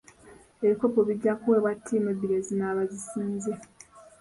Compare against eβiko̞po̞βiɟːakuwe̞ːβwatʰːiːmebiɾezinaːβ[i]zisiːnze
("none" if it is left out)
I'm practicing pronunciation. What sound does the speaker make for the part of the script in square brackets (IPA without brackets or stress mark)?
a